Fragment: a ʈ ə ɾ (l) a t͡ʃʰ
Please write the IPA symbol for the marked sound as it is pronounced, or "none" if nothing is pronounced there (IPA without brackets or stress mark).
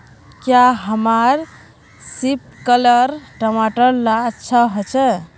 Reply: l